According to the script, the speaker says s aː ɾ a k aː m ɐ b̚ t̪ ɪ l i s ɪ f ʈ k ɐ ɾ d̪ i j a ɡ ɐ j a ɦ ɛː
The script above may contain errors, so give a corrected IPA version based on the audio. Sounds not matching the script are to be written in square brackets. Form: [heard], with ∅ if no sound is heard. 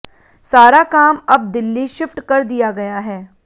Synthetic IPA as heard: s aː ɾ a k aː m ɐ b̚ [d̪] ɪ [lː] i [ʃ] ɪ f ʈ k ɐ ɾ d̪ i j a ɡ ɐ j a ɦ ɛː